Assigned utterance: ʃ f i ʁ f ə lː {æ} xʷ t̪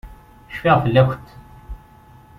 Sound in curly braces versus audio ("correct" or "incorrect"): correct